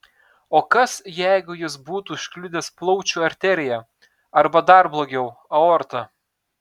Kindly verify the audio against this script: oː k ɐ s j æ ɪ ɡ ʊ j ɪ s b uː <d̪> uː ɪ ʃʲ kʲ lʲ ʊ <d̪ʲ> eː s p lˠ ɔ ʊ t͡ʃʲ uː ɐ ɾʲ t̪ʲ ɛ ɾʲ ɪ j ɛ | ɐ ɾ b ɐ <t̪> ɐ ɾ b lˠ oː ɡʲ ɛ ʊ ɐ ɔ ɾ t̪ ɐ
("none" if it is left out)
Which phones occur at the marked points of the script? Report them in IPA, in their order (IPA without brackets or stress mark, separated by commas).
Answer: t̪, d̪ʲ, d̪